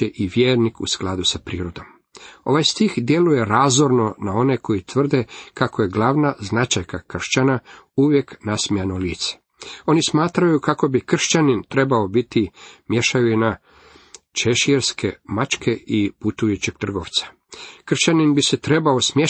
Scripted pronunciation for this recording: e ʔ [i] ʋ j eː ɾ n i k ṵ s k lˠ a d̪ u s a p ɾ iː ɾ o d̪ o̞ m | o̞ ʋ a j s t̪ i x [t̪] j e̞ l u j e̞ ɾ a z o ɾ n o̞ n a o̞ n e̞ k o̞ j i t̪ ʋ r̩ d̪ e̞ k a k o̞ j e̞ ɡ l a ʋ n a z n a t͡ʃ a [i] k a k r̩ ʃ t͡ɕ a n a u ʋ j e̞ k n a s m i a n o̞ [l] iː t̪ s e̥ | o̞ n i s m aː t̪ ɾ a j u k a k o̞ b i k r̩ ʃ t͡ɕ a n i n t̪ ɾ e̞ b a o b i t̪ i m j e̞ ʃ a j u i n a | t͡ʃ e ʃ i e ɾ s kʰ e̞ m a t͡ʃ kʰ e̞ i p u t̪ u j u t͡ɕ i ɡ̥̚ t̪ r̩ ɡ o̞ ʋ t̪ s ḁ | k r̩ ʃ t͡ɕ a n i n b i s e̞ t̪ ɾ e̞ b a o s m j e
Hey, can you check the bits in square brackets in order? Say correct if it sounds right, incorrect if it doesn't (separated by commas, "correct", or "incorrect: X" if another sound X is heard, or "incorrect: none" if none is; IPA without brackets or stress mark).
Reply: correct, incorrect: d̪, incorrect: j, correct